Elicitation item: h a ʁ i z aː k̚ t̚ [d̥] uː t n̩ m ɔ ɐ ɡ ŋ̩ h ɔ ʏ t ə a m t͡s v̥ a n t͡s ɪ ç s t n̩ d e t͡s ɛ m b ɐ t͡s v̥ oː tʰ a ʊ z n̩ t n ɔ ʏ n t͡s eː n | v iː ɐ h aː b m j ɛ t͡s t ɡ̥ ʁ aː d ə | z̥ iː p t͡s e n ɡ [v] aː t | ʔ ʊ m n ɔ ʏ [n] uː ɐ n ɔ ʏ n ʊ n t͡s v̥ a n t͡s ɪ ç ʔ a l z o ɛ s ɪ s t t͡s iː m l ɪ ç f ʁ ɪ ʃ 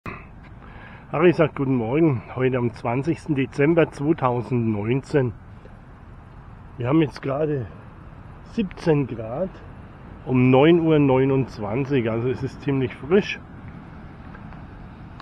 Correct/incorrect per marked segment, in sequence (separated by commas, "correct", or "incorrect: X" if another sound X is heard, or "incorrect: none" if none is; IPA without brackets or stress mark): incorrect: ɡ̥, incorrect: ʁ, correct